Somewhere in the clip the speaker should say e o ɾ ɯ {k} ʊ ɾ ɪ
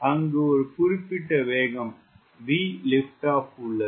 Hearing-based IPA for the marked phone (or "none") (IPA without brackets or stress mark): p